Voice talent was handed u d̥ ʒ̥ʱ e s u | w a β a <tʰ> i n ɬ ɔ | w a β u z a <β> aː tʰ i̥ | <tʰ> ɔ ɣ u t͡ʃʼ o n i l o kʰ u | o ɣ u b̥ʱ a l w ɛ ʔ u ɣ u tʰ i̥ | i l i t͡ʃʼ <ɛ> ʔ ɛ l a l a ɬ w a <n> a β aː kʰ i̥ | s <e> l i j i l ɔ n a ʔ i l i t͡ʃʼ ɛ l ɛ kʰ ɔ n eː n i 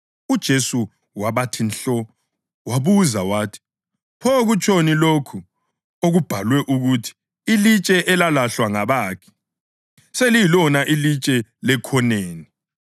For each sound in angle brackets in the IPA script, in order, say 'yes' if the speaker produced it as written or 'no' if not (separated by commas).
yes, no, no, yes, no, yes